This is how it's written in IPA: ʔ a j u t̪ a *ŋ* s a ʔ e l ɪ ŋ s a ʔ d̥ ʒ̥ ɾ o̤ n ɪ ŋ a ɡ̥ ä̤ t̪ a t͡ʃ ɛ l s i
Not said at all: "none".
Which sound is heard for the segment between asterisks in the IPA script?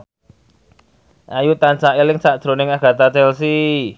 n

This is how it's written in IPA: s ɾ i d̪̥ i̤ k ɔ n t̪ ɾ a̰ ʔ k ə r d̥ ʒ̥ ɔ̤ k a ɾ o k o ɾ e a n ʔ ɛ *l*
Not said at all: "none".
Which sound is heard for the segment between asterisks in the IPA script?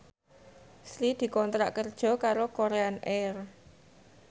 r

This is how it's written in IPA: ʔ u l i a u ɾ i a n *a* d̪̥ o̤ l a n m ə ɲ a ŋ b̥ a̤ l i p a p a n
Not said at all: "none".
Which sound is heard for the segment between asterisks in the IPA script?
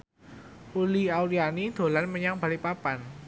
i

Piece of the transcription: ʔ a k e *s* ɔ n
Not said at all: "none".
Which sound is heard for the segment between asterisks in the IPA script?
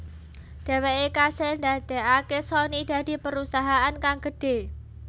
s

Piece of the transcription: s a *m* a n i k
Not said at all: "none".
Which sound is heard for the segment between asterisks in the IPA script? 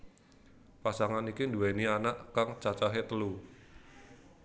ŋ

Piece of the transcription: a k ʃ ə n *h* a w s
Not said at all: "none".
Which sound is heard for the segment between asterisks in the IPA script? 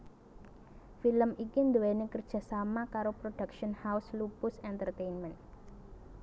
h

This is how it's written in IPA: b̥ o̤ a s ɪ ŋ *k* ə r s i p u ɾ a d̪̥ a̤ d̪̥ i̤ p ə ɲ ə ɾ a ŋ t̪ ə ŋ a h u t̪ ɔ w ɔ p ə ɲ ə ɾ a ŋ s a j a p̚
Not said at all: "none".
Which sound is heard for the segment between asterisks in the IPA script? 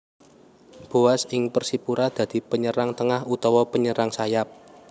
p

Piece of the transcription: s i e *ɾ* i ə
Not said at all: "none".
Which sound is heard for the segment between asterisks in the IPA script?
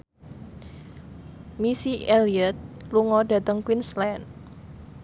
l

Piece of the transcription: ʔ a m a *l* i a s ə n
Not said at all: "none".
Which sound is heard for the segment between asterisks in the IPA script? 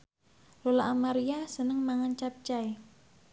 ɾ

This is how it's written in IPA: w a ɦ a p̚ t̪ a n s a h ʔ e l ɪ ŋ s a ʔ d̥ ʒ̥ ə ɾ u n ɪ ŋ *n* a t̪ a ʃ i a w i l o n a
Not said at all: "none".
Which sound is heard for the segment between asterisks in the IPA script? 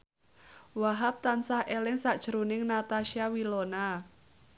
n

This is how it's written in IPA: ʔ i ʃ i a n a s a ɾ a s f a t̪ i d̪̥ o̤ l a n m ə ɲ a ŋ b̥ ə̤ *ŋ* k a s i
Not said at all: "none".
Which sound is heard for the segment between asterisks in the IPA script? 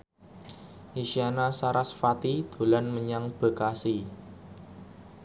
none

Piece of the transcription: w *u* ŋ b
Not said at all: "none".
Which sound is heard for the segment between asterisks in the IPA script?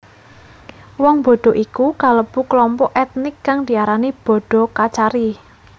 ɔ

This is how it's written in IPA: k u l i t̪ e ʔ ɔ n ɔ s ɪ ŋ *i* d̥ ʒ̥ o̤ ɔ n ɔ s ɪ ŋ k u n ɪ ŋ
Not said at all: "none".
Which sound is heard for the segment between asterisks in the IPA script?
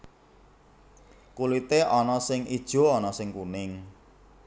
i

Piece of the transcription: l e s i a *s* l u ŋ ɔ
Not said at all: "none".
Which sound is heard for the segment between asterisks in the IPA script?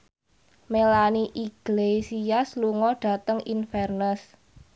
s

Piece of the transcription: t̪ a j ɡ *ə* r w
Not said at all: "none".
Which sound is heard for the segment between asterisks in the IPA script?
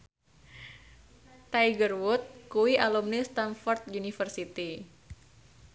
ə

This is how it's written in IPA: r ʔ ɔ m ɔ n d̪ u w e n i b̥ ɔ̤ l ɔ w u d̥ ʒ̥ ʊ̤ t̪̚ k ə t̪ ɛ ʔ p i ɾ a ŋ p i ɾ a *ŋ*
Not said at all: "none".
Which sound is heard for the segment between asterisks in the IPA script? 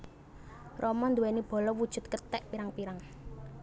ŋ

